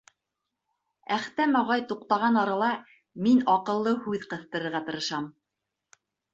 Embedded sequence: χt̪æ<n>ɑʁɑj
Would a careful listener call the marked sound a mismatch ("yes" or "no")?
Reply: yes